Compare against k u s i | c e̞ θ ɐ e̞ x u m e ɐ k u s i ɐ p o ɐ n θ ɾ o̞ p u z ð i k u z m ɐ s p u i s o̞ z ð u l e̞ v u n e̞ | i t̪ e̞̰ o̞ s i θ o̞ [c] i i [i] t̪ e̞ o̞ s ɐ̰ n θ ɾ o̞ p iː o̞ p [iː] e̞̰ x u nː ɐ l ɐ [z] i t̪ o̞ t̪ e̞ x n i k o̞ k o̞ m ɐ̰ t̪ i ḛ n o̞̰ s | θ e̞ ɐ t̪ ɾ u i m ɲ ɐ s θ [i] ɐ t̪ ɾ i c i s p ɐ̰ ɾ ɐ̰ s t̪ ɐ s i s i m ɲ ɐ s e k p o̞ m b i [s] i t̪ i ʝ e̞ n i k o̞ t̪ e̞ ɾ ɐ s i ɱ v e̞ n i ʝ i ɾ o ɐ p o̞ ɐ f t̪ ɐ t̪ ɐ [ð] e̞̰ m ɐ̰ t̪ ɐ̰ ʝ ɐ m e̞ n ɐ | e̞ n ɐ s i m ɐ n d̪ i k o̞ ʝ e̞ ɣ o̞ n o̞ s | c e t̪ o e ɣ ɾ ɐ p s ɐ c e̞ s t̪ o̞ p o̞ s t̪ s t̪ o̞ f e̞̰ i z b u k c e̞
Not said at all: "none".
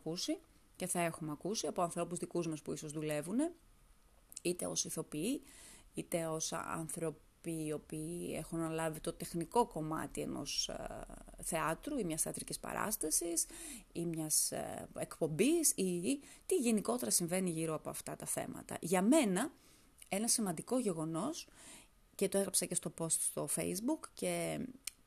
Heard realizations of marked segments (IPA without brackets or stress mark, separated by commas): p, i, iː, v, e, s, θ